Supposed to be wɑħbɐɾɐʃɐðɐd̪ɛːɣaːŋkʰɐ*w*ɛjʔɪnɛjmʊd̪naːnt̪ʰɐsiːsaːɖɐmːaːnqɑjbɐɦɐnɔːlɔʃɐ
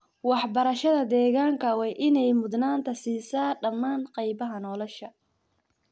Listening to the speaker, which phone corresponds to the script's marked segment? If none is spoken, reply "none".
w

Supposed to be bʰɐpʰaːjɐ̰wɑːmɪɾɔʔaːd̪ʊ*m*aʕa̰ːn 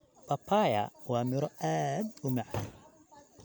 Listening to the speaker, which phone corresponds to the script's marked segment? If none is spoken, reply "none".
m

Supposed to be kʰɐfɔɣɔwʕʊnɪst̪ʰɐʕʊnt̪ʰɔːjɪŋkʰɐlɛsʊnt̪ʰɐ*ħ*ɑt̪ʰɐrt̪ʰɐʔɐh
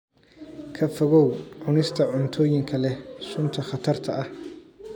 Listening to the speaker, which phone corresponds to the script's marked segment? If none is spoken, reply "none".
χ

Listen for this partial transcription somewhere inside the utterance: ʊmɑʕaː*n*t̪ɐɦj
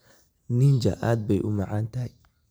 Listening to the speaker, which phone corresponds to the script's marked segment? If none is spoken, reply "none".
n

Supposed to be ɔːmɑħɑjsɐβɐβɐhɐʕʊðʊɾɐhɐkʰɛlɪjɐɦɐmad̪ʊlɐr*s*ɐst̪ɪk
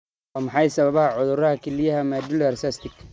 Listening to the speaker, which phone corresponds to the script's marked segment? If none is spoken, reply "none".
s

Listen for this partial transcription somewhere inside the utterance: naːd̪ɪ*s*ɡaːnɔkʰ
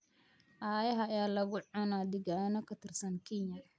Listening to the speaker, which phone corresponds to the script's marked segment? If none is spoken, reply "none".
none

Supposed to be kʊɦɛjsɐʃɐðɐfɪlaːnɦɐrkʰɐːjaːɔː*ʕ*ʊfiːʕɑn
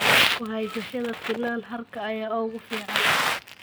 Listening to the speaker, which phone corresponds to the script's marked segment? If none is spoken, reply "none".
ɣ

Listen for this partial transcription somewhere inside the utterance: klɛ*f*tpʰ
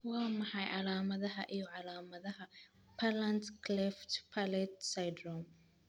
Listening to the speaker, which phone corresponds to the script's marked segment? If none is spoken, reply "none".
f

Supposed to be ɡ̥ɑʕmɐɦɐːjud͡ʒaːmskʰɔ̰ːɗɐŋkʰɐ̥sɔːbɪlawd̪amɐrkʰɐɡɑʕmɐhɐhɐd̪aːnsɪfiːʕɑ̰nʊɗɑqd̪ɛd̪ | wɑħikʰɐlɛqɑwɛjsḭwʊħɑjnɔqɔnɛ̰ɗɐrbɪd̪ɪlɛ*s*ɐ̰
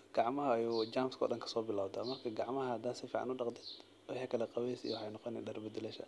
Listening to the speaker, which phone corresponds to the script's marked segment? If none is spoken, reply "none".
ʃ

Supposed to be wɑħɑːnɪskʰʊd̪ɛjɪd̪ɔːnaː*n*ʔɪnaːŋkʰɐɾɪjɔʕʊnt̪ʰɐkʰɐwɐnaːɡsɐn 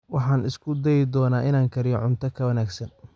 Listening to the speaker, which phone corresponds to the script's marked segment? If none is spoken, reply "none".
none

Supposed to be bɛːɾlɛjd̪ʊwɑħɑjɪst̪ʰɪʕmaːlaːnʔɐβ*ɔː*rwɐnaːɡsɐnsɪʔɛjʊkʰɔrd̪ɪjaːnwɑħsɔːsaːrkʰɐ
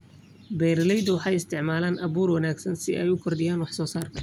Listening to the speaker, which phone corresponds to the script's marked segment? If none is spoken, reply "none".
uː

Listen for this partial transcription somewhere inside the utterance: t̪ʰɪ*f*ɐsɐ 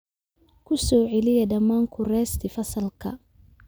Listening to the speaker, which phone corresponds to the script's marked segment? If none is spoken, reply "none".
f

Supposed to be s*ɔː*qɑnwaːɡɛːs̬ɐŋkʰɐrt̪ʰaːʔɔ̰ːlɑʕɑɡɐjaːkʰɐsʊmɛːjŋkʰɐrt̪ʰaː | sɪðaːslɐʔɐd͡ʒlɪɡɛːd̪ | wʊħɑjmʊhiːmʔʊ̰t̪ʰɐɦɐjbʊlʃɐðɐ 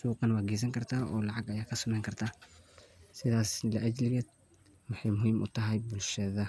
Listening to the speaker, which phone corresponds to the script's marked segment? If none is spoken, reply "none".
uː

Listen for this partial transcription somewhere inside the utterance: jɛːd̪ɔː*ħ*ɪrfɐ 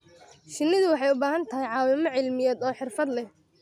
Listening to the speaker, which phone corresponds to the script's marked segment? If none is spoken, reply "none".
ħ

